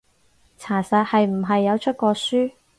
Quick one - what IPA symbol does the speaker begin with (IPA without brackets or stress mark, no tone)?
t͡sʰ